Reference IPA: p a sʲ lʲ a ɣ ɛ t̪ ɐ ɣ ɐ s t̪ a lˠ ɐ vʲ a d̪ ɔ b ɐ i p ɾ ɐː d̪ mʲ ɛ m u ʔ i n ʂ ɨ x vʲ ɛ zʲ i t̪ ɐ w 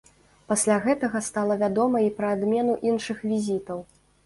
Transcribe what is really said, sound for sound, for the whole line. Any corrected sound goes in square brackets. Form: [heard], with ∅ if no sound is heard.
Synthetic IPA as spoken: p a sʲ lʲ a ɣ ɛ t̪ ɐ ɣ ɐ s t̪ a lˠ ɐ vʲ a d̪ ɔ [m] ɐ i p ɾ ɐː d̪ mʲ ɛ [n] u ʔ i n ʂ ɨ x vʲ [i] zʲ i t̪ ɐ w